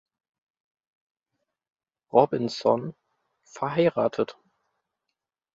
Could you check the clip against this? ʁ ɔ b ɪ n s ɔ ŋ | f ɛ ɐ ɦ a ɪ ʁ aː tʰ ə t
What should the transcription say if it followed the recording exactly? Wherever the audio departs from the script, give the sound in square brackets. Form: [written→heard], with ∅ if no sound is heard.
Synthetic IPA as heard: ʁ ɔ b ɪ n s ɔ [ŋ→n] | f ɛ ɐ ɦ a ɪ ʁ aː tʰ ə t

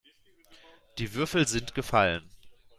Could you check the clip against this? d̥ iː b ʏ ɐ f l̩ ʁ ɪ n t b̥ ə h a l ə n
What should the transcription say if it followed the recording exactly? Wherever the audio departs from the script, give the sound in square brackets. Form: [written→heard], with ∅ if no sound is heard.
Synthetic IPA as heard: d̥ iː [b→v] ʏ ɐ f l̩ [ʁ→z] ɪ n t [b̥→ɡ̥] ə [h→f] a l ə n

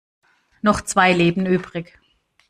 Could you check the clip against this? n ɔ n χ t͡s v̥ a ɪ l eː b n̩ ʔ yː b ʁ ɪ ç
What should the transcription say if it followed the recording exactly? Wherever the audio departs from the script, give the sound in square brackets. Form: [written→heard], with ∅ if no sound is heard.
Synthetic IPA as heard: n ɔ [n→∅] χ t͡s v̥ a ɪ l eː b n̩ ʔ yː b ʁ ɪ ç

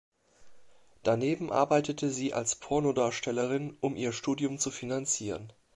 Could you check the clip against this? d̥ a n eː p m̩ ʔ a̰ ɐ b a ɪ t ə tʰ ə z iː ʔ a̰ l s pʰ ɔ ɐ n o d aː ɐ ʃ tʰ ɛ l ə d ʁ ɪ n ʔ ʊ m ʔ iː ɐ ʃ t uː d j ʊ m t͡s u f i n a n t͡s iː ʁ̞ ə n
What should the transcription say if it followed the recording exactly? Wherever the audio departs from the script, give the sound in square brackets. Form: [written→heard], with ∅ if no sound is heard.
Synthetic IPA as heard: d̥ a n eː [p→b] m̩ ʔ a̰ ɐ b a ɪ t ə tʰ ə z iː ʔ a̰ l s pʰ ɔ ɐ n o d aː ɐ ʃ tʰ ɛ l ə [d→∅] ʁ ɪ n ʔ ʊ m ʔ iː ɐ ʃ t uː d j ʊ m t͡s u f i n a n t͡s iː ʁ̞ ə n

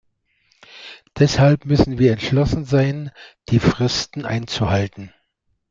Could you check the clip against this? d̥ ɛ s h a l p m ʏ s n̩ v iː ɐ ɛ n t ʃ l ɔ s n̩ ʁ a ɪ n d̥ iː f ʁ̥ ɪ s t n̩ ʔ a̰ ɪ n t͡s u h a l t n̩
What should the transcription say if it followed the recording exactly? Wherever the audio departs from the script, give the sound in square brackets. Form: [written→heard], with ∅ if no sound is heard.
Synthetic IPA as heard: d̥ ɛ s h a l p m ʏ s n̩ v iː ɐ ɛ n t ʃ l ɔ s n̩ [ʁ→z] a ɪ n d̥ iː f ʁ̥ ɪ s t n̩ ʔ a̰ ɪ n t͡s u h a l t n̩

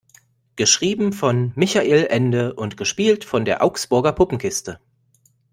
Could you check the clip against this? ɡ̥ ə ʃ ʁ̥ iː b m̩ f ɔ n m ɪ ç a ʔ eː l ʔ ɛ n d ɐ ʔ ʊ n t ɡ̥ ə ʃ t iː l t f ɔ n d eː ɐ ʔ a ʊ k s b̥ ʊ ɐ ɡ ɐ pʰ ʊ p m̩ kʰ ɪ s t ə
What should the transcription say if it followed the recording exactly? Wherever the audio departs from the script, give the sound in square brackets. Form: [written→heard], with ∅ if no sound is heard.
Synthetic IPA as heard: ɡ̥ ə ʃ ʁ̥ iː b m̩ f ɔ n m ɪ ç a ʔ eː l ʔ ɛ n d [ɐ→ə] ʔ ʊ n t ɡ̥ ə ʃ [t→p] iː l t f ɔ n d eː ɐ ʔ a ʊ k s b̥ ʊ ɐ ɡ ɐ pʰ ʊ p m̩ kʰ ɪ s t ə

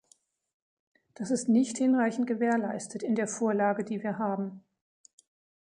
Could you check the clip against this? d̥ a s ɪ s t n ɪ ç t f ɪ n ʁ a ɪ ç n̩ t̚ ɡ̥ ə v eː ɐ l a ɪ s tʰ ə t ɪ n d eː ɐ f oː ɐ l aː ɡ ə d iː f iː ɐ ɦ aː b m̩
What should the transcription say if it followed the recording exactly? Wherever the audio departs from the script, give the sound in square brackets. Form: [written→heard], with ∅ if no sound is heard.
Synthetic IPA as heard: d̥ a s ɪ s t n ɪ ç t [f→h] ɪ n ʁ a ɪ ç n̩ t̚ ɡ̥ ə v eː ɐ l a ɪ s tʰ ə t ɪ n d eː ɐ f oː ɐ l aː ɡ ə d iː [f→v] iː ɐ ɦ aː b m̩

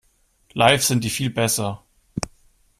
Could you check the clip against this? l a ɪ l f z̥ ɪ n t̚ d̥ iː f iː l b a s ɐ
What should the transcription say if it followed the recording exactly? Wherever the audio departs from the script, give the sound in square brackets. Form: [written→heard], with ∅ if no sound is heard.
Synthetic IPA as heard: l a ɪ [l→∅] f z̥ ɪ n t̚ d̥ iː f iː l b [a→ɛ] s ɐ

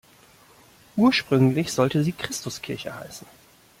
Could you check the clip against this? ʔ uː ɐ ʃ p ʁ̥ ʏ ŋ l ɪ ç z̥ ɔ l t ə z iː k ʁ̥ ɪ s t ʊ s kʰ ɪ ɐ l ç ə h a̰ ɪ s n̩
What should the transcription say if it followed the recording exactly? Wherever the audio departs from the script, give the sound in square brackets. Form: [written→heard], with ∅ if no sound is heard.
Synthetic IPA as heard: ʔ uː ɐ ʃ p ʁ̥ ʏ ŋ l ɪ ç z̥ ɔ l t ə z iː k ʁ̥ ɪ s t ʊ s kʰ ɪ ɐ [l→∅] ç ə h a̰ ɪ s n̩

